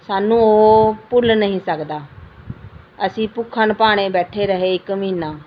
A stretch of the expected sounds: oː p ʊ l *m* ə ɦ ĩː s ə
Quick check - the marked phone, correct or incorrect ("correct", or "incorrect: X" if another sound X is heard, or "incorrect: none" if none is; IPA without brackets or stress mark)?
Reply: incorrect: n